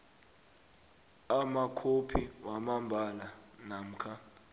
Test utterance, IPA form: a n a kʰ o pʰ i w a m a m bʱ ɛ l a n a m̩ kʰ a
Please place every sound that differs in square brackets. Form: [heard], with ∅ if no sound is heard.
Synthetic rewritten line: a [m] a kʰ o pʰ i w a m a m bʱ [a] l a n a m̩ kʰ a